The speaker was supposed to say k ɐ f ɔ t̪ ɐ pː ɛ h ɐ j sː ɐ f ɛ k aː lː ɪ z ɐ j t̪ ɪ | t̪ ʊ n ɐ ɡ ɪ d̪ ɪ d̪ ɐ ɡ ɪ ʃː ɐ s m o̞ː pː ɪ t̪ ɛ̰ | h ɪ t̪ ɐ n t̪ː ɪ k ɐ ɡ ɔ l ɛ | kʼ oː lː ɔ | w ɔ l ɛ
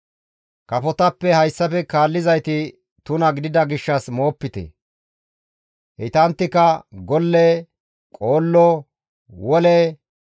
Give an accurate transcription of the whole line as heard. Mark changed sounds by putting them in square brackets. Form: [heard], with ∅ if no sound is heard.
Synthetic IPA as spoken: k ɐ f ɔ t̪ ɐ pː ɛ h ɐ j sː ɐ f ɛ k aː lː ɪ z ɐ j t̪ ɪ | t̪ ʊ n ɐ ɡ ɪ d̪ ɪ d̪ ɐ ɡ ɪ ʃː ɐ s m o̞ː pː ɪ t̪ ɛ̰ | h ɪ t̪ ɐ n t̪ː ɪ k ɐ ɡ ɔ [lː] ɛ | kʼ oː lː ɔ | w ɔ l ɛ

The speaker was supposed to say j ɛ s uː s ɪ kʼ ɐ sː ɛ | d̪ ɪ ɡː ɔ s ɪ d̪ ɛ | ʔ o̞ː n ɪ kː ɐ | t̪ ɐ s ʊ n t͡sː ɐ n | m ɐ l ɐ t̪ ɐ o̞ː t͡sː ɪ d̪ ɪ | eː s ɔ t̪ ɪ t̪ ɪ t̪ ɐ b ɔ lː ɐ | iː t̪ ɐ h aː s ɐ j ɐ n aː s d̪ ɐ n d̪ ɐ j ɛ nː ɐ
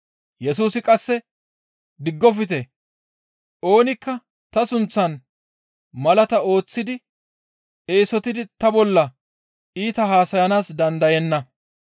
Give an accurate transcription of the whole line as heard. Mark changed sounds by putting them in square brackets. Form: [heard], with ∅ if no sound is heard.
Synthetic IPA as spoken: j ɛ s uː s ɪ kʼ ɐ sː ɛ | d̪ ɪ ɡː ɔ [f] ɪ [t̪] ɛ | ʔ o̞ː n ɪ kː ɐ | t̪ ɐ s ʊ n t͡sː ɐ n | m ɐ l ɐ t̪ ɐ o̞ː t͡sː ɪ d̪ ɪ | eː s ɔ t̪ ɪ [d̪] ɪ t̪ ɐ b ɔ lː ɐ | iː t̪ ɐ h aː s ɐ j ɐ n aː s d̪ ɐ n d̪ ɐ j ɛ nː ɐ

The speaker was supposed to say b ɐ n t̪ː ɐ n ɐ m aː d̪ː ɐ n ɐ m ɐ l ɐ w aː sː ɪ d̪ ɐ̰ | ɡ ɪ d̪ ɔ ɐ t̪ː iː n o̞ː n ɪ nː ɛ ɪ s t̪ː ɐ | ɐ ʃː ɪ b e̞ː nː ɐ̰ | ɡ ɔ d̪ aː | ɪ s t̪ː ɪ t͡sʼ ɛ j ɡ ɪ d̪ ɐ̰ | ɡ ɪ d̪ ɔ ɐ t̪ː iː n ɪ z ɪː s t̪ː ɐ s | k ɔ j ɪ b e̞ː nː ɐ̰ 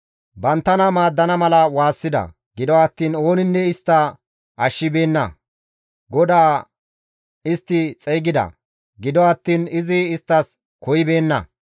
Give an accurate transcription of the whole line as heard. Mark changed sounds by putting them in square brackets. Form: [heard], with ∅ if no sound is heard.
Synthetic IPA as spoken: b ɐ n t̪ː ɐ n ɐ m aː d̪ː ɐ n ɐ m ɐ l ɐ w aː sː ɪ d̪ ɐ̰ | ɡ ɪ d̪ ɔ ɐ t̪ː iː n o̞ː n ɪ nː ɛ ɪ s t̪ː ɐ | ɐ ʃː ɪ b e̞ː nː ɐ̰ | ɡ ɔ d̪ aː | ɪ s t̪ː ɪ t͡sʼ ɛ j ɡ ɪ d̪ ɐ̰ | ɡ ɪ d̪ ɔ ɐ t̪ː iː n ɪ z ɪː s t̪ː ɐ s | k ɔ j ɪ b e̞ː nː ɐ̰

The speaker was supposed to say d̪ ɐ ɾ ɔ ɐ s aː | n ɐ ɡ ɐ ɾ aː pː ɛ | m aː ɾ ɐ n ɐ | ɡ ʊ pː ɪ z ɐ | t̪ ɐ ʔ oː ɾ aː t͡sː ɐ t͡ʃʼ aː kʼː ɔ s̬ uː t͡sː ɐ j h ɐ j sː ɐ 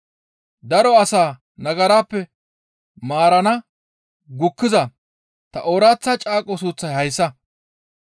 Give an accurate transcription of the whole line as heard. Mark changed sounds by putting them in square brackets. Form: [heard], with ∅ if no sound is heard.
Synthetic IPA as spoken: d̪ ɐ ɾ ɔ ɐ s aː | n ɐ ɡ ɐ ɾ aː pː ɛ | m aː ɾ ɐ n ɐ | ɡ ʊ [kː] ɪ z ɐ | t̪ ɐ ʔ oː ɾ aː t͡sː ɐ t͡ʃʼ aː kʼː ɔ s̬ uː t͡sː ɐ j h ɐ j sː ɐ

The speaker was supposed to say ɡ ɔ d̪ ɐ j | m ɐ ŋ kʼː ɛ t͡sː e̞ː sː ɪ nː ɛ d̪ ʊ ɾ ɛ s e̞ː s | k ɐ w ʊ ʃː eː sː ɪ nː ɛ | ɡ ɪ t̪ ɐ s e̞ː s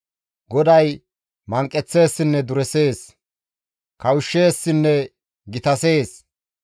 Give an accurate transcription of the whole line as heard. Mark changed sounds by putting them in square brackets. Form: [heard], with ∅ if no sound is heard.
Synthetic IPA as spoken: ɡ ɔ d̪ ɐ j | m ɐ ŋ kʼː ɛ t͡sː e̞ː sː ɪ nː ɛ d̪ ʊ ɾ ɛ s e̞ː s | k ɐ w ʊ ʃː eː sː ɪ nː ɛ | ɡ ɪ t̪ ɐ s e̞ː s

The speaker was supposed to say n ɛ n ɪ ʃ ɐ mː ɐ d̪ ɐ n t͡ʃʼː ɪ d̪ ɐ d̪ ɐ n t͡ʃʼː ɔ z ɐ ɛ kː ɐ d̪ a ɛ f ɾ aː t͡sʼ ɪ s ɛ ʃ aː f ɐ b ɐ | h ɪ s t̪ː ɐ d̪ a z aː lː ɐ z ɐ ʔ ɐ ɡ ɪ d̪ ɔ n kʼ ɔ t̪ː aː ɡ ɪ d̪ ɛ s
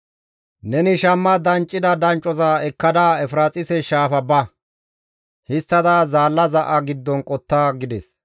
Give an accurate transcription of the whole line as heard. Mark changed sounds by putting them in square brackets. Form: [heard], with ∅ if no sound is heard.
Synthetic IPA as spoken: n ɛ n ɪ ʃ ɐ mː ɐ d̪ ɐ n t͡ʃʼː ɪ d̪ ɐ d̪ ɐ n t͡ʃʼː ɔ z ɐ ɛ kː ɐ d̪ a ɛ f ɾ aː t͡sʼ ɪ s ɛ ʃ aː f ɐ b ɐ | h ɪ s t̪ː ɐ d̪ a z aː lː ɐ z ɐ ʔ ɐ ɡ ɪ [d̪ː] ɔ n kʼ ɔ t̪ː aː ɡ ɪ d̪ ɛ s

